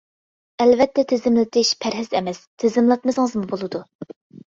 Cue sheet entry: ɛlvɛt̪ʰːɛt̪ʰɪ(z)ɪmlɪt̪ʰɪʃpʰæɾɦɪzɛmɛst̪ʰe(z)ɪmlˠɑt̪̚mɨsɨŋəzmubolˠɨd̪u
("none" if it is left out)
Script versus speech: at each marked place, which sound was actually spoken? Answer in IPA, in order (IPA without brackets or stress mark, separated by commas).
z, z